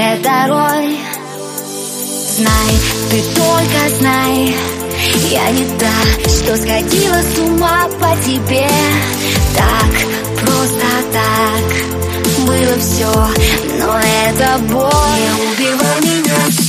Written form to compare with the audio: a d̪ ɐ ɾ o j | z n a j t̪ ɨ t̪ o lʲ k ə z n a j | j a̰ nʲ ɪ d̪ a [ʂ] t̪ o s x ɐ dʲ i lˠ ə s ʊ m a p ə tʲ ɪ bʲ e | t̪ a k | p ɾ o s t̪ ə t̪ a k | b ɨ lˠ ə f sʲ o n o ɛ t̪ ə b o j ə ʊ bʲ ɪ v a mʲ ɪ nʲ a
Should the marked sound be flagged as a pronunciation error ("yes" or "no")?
no